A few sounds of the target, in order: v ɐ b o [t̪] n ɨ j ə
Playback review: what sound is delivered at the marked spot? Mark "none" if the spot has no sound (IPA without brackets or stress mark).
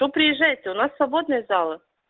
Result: d̪